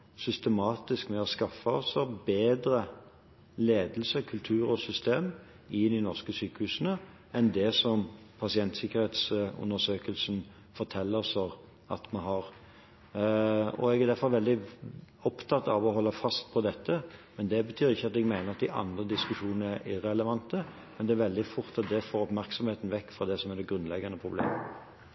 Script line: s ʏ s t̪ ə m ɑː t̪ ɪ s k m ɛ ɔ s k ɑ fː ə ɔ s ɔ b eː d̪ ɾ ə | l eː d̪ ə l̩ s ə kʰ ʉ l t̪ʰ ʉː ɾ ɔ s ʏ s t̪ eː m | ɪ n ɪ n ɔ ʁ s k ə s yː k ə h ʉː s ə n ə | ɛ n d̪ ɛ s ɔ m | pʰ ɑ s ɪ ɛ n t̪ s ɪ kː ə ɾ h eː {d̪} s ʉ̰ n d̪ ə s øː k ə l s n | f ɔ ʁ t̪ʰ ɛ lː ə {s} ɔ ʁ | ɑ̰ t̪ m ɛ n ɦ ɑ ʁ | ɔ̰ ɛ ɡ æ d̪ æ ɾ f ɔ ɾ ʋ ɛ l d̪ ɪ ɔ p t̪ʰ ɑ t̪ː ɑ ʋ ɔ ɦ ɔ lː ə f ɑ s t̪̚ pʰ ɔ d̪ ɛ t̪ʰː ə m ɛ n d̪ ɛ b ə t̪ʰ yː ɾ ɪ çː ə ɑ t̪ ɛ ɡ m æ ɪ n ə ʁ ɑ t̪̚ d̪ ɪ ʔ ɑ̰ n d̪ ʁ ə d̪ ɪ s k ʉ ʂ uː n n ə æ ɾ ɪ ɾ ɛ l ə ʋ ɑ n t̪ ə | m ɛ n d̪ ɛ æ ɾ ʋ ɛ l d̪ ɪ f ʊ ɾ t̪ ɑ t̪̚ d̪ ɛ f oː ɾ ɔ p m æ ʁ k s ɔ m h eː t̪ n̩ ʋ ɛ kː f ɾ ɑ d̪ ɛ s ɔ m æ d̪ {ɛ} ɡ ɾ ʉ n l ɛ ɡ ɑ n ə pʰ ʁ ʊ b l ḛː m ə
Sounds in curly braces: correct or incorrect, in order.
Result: incorrect, correct, correct

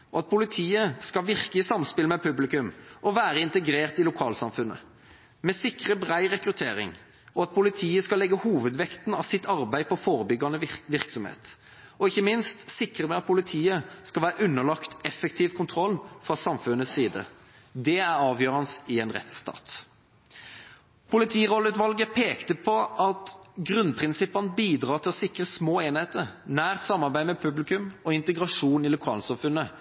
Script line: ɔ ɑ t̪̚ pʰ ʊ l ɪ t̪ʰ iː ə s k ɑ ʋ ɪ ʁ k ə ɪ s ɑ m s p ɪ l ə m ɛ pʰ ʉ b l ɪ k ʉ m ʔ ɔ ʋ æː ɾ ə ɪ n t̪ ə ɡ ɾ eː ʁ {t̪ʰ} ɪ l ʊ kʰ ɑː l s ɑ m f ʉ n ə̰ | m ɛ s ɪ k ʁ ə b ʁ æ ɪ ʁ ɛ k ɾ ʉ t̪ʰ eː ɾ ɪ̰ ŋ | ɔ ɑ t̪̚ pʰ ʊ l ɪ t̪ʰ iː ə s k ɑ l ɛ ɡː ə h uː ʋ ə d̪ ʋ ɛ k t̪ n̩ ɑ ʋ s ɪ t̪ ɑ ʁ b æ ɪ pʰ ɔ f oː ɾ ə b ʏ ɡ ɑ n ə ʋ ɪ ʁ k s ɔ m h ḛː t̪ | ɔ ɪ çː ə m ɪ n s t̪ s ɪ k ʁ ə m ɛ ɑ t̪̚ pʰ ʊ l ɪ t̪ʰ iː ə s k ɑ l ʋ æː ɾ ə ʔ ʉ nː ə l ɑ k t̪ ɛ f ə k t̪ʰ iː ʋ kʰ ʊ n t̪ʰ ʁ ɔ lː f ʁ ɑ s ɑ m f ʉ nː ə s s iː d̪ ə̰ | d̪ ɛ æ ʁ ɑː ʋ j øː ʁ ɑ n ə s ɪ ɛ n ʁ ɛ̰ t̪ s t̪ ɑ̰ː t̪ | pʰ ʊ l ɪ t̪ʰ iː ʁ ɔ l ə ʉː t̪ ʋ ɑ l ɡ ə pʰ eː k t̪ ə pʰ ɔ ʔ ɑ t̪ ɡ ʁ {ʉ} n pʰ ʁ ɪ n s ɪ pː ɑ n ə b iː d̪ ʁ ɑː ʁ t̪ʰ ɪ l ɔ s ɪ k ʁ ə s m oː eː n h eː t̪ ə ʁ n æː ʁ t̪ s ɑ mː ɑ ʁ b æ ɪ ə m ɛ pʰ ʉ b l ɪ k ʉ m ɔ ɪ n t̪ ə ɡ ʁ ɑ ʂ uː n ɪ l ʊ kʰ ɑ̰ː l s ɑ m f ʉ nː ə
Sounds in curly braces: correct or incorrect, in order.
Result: incorrect, correct

